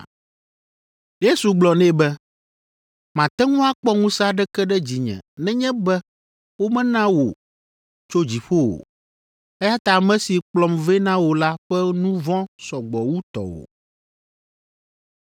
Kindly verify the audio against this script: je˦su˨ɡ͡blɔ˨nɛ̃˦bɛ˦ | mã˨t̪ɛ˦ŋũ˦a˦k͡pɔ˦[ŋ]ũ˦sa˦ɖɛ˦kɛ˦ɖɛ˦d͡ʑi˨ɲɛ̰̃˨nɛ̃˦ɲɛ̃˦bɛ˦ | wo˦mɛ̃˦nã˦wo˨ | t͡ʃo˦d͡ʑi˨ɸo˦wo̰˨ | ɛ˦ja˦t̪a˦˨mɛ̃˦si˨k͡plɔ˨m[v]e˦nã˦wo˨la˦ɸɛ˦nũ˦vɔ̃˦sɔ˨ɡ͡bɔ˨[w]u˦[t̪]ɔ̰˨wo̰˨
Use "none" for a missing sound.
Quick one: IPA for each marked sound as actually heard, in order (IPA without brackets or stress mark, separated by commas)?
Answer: ŋ, v, w, t̪